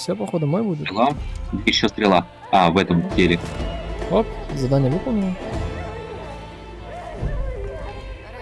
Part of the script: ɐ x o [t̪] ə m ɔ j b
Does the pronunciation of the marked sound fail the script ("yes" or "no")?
yes